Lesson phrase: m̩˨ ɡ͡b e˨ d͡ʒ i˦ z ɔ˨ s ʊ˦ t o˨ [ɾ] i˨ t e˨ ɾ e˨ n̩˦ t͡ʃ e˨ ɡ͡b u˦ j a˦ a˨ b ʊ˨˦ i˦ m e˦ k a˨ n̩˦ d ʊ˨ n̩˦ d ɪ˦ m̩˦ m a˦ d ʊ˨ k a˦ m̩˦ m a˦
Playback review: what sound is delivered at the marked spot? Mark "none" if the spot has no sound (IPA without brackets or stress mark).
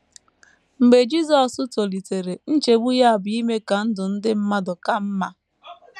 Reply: l